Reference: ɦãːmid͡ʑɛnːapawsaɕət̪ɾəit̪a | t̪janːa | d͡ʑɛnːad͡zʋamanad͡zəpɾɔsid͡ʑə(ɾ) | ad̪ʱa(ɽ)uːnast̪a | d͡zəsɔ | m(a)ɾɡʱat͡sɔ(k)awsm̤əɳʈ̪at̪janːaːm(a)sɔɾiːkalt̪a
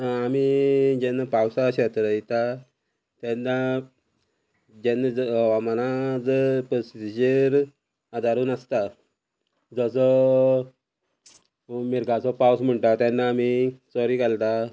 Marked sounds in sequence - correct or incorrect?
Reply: correct, incorrect, incorrect, incorrect, incorrect

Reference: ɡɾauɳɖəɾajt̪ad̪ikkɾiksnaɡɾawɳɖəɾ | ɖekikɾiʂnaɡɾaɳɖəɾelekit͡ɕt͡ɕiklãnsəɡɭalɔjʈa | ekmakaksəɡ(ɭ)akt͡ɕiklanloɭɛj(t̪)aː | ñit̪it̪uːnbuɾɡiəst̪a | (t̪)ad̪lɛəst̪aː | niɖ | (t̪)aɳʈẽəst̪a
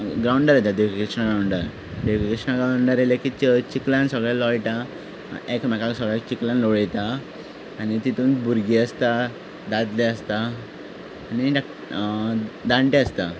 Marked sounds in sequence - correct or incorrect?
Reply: correct, correct, incorrect, incorrect

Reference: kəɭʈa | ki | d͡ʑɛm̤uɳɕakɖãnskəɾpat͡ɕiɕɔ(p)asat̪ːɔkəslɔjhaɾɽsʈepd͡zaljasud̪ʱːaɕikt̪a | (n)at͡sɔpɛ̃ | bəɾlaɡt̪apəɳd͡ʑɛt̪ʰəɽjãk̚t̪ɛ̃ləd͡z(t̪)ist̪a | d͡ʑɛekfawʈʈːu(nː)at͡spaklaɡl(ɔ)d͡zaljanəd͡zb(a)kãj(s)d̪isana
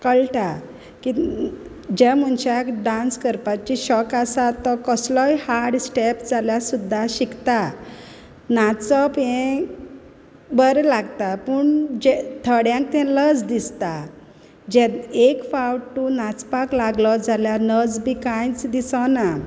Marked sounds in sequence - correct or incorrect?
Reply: incorrect, correct, incorrect, incorrect, correct, incorrect, incorrect

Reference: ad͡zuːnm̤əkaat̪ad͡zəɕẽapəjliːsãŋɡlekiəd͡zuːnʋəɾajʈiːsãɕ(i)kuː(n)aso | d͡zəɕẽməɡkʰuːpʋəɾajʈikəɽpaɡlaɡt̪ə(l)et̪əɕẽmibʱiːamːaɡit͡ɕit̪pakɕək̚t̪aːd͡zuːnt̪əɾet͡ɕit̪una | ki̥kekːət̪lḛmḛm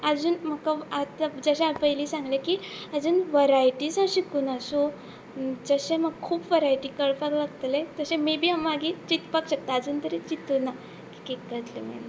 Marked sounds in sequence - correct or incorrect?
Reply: correct, correct, correct

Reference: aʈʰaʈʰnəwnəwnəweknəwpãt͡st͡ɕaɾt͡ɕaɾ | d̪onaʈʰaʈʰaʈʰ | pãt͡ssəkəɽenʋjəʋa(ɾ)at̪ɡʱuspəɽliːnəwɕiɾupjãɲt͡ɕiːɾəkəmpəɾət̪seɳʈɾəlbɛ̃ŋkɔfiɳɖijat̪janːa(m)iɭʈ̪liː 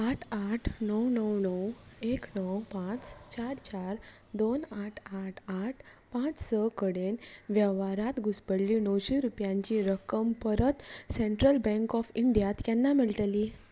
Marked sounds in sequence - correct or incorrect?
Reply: correct, correct

